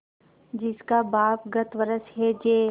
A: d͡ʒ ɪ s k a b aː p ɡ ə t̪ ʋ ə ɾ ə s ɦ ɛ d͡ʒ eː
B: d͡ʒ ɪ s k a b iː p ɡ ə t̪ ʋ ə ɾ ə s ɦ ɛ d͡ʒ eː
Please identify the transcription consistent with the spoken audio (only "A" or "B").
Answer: A